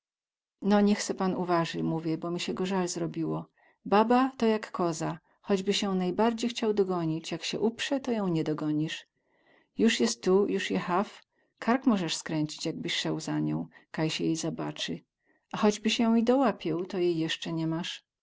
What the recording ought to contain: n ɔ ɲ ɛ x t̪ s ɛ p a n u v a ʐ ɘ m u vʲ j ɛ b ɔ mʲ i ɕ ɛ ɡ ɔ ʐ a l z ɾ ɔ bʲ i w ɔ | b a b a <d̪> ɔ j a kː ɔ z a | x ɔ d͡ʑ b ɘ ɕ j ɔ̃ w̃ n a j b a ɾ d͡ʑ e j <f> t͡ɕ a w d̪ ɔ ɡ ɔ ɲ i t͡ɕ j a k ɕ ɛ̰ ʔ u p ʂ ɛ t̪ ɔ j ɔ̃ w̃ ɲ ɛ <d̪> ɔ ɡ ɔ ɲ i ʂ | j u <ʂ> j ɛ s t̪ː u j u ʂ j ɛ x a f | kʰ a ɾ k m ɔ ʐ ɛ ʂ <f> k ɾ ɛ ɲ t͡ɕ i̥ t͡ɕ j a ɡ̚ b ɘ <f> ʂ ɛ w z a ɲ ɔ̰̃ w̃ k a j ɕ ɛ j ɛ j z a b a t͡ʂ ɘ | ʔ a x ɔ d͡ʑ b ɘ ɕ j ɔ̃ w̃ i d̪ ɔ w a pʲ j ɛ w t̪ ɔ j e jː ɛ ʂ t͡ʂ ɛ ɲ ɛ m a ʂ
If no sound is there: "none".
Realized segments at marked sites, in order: t̪, x, d̪, ʂ, s, ɕ

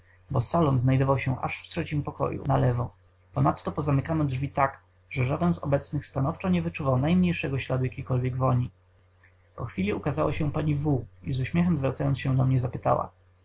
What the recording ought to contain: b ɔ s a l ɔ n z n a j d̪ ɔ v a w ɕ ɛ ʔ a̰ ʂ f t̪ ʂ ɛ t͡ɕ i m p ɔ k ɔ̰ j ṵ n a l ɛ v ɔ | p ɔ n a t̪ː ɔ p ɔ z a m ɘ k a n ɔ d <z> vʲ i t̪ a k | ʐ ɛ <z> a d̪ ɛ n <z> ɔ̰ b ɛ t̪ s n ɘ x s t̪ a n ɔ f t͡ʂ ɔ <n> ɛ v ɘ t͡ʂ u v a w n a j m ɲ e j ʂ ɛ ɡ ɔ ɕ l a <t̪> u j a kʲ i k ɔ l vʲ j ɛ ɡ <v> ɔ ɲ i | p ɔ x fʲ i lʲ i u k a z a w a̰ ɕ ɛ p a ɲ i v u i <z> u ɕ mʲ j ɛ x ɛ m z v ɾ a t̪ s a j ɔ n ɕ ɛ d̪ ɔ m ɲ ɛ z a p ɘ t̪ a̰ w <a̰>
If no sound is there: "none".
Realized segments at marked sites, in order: ʐ, ʐ, z, ɲ, d̪, v, z, a̰

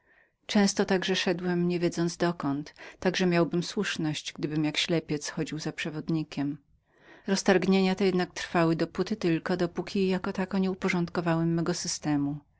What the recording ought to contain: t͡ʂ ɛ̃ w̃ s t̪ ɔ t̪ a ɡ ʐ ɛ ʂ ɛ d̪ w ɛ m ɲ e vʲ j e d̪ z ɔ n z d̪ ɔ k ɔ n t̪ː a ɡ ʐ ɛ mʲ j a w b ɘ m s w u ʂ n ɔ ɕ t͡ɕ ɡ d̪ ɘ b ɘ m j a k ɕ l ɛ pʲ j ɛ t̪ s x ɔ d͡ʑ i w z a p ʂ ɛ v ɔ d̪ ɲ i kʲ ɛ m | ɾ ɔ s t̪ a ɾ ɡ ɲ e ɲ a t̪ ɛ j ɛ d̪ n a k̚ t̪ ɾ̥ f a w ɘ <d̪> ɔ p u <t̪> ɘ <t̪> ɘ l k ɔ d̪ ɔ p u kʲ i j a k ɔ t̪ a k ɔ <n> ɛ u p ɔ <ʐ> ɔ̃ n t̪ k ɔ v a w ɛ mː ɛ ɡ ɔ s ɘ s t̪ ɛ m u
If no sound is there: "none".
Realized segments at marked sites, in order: d̪, t̪, t̪, ɲ, ʐ

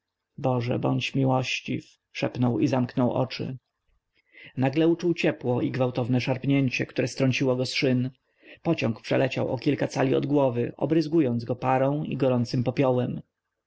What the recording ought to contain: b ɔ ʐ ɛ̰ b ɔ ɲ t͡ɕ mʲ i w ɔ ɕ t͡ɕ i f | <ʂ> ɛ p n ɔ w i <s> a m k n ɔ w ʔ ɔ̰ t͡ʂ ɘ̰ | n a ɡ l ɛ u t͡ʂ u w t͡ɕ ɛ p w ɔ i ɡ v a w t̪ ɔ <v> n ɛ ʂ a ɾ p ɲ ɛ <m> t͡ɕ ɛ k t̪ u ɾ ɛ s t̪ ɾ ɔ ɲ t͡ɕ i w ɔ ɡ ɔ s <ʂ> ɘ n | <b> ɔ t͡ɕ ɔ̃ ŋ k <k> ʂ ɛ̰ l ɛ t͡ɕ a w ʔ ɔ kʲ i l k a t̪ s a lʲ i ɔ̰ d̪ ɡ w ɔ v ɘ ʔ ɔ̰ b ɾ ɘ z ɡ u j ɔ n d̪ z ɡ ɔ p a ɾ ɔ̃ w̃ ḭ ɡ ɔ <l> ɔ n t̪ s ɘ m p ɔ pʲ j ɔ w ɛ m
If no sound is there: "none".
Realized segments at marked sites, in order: ʂ, z, v, ɲ, ʂ, p, p, ɾ

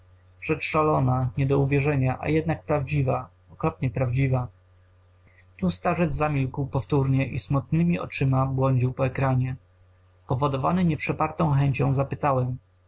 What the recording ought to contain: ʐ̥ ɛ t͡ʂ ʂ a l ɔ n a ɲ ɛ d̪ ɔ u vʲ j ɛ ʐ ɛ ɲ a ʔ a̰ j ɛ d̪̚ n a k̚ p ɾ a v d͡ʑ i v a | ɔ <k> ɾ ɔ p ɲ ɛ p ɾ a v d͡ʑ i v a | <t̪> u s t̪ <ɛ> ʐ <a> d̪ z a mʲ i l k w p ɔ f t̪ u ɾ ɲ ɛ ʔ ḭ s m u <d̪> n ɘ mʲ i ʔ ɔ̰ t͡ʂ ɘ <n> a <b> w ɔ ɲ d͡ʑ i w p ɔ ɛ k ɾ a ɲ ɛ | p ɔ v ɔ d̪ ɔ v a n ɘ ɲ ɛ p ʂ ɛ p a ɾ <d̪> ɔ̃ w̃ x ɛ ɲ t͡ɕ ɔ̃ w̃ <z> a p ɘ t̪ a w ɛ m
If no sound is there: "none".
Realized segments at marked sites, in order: k, t̪, a, ɛ, t̪, m, b, t̪, z

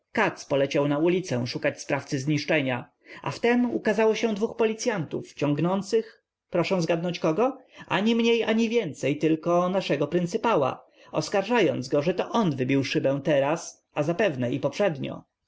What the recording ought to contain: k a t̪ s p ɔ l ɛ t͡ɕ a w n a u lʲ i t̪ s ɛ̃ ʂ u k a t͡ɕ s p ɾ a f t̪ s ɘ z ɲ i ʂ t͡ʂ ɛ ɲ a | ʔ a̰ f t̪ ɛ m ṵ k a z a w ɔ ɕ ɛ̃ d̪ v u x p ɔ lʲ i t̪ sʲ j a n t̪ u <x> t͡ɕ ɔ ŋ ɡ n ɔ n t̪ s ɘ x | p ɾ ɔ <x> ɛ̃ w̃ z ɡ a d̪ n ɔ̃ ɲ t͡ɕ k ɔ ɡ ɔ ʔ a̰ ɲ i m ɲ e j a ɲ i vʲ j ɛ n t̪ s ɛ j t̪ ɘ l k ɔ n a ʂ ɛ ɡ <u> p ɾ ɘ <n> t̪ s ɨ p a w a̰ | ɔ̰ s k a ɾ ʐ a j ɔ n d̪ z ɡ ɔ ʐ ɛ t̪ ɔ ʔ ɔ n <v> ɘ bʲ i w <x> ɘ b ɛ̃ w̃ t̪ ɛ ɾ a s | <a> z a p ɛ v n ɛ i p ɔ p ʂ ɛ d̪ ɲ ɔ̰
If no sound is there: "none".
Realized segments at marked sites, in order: f, ʂ, ɔ, n, v, ʂ, a

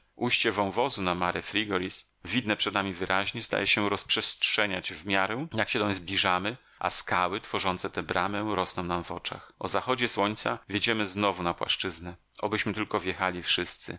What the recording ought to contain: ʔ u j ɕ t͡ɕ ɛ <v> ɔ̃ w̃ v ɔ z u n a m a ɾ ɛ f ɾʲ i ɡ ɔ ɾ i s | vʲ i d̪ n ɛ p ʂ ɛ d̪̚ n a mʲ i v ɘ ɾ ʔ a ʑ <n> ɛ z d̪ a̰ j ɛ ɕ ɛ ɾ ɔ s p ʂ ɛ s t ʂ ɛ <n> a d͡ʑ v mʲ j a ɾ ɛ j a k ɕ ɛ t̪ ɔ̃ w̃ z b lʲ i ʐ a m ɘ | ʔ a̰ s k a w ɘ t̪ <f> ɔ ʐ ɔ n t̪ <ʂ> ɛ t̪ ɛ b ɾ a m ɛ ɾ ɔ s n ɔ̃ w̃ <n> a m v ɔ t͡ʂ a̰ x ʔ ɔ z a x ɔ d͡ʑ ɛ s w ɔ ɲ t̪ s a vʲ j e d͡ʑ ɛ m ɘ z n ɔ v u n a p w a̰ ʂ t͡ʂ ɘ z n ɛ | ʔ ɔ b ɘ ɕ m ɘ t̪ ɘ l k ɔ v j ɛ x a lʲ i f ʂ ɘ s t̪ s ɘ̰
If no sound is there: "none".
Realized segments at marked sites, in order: v, ɲ, ɲ, f, s, n

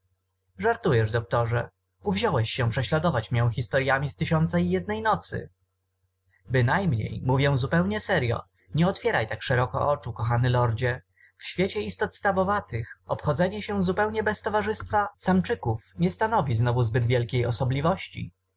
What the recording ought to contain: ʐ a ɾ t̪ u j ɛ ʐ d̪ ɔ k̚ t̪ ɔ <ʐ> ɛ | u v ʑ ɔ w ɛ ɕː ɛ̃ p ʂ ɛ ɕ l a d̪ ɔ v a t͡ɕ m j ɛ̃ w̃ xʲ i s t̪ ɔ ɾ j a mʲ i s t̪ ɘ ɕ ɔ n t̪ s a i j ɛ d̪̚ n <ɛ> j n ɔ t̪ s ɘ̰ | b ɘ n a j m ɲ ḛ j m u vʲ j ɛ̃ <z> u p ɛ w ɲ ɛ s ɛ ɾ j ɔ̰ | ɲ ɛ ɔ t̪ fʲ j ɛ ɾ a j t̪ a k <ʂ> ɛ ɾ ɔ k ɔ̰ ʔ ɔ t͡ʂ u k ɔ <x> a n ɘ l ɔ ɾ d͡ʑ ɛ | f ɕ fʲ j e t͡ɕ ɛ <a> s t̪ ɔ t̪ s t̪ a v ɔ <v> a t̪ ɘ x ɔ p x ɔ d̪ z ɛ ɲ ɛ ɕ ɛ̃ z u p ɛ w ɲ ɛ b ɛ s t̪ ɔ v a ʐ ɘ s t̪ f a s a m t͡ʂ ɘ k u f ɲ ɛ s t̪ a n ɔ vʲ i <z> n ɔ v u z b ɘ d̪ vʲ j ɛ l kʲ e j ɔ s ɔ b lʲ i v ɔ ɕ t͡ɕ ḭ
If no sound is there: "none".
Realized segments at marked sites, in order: ʐ, ɛ, z, ʂ, x, i, v, z

